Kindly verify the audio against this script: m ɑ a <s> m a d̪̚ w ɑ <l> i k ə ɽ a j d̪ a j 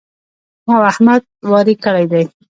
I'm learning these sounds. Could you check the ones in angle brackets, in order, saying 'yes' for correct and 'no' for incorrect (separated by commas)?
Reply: no, no